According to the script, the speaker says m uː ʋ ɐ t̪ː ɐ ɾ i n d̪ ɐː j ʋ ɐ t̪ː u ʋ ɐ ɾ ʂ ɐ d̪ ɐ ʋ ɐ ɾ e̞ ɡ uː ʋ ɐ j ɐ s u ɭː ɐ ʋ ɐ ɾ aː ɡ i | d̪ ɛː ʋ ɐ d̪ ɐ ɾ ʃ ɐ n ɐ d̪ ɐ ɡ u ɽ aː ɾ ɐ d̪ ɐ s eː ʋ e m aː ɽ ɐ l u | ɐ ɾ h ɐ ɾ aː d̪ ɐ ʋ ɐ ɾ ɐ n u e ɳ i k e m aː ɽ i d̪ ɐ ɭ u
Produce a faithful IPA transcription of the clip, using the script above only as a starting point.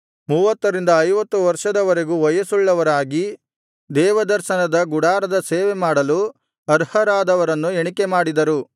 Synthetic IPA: m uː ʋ ɐ t̪ː ɐ ɾ i n d̪ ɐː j ʋ ɐ t̪ː u ʋ ɐ ɾ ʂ ɐ d̪ ɐ ʋ ɐ ɾ e̞ ɡ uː ʋ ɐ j ɐ s u ɭː ɐ ʋ ɐ ɾ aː ɡ i | d̪ ɛː ʋ ɐ d̪ ɐ ɾ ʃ ɐ n ɐ d̪ ɐ ɡ u ɽ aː ɾ ɐ d̪ ɐ s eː ʋ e m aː ɽ ɐ l u | ɐ ɾ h ɐ ɾ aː d̪ ɐ ʋ ɐ ɾ ɐ nː u e ɳ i k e m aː ɽ i d̪ ɐ ɾ u